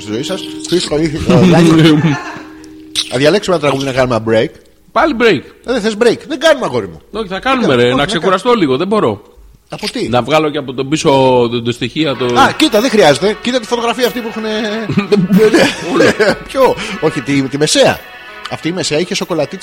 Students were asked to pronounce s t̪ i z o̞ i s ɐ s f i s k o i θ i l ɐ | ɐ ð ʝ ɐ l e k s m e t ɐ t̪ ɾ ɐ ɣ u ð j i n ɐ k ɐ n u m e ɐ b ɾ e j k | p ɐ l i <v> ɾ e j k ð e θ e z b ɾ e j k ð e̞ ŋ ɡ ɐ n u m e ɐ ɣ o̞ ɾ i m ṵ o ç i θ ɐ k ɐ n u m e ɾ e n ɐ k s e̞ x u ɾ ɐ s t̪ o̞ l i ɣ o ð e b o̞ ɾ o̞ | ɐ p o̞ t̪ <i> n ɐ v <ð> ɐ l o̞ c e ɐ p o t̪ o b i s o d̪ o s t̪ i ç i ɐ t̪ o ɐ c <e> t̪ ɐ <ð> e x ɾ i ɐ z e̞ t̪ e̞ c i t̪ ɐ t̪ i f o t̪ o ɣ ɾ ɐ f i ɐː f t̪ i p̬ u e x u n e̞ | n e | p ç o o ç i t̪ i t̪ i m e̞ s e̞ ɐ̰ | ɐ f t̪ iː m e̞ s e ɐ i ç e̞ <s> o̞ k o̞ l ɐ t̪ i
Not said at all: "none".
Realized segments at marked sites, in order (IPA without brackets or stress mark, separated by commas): b, i, ɣ, i, ð, s